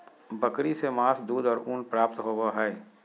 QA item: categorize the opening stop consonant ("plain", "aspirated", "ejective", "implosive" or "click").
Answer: plain